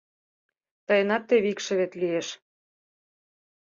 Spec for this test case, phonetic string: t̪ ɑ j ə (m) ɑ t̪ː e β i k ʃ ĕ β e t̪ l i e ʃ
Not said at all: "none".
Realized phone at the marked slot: n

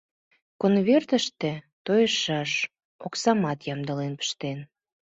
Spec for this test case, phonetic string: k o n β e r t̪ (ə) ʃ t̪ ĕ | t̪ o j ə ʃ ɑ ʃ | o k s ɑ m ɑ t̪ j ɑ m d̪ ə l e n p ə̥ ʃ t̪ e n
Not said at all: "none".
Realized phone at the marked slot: ə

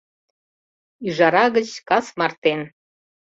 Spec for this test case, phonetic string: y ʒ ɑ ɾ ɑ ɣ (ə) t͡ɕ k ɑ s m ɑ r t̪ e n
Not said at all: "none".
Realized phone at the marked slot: ə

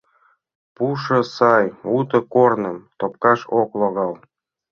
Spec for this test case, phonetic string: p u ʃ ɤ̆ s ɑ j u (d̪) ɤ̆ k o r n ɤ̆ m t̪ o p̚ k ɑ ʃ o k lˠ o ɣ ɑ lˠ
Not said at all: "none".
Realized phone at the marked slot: t̪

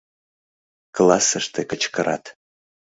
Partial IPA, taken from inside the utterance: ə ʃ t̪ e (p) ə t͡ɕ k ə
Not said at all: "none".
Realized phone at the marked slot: k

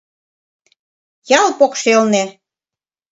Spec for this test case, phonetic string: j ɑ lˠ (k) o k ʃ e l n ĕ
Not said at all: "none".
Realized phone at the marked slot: p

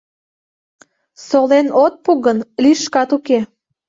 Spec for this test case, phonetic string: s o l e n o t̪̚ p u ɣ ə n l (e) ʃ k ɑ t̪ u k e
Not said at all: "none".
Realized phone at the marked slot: i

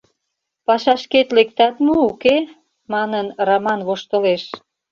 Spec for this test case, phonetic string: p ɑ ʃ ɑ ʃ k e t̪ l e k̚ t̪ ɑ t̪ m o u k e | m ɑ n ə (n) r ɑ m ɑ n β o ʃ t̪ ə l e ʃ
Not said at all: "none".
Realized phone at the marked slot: n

